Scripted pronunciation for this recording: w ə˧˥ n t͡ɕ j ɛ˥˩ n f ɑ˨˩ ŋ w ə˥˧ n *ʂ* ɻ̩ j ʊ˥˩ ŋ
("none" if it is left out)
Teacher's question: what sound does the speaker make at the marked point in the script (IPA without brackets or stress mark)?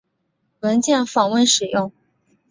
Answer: ʂ